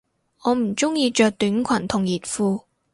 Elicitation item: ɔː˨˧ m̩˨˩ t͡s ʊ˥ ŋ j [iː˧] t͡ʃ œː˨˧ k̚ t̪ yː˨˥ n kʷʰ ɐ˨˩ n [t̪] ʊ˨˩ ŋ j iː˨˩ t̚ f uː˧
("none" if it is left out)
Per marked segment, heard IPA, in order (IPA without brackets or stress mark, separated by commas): iː˧, t̪ʰ